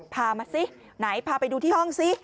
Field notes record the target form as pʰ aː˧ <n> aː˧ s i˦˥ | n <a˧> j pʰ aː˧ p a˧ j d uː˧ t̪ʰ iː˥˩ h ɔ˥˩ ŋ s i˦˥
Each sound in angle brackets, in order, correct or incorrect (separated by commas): incorrect, incorrect